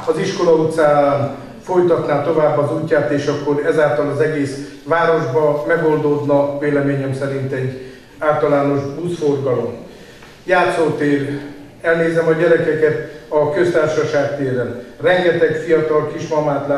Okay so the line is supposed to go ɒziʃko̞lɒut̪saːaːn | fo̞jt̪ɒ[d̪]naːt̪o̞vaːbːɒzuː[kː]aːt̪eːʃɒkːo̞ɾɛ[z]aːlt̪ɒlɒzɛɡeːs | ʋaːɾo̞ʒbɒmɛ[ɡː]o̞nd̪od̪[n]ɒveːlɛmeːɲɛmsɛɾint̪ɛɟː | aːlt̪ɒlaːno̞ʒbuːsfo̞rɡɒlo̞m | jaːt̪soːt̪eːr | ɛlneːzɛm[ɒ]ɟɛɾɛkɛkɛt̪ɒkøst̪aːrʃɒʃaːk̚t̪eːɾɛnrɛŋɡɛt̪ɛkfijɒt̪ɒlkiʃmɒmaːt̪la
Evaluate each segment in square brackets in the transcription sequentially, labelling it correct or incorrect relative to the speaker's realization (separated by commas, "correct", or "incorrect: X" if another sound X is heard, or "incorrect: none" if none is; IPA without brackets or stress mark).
incorrect: t̪, incorrect: cː, correct, incorrect: ɡ, correct, correct